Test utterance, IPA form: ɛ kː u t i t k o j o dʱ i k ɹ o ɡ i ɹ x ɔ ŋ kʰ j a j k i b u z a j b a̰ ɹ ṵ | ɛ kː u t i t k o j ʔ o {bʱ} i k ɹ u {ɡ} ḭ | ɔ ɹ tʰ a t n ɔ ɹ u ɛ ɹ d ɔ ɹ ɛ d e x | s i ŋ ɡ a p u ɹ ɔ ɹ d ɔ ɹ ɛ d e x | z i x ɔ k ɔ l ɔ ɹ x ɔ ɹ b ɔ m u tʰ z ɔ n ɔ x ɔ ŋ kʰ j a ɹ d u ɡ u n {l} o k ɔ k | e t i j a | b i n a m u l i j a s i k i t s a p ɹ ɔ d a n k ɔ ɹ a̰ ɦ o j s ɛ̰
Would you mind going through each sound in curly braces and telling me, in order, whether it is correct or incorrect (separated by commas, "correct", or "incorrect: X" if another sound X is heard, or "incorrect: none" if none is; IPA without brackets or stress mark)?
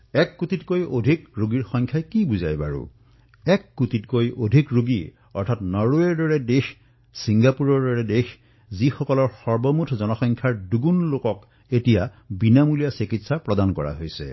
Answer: incorrect: dʱ, correct, correct